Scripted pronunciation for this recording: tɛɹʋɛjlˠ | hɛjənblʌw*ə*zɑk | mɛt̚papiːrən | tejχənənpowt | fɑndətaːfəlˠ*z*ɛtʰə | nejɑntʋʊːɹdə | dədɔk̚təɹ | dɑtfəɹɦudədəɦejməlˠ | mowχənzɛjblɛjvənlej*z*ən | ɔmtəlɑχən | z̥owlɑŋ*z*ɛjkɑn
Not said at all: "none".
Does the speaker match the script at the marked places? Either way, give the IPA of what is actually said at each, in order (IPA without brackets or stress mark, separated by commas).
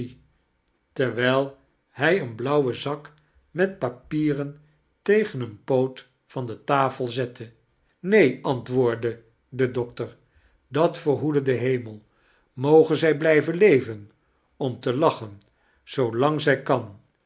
ə, z, v, z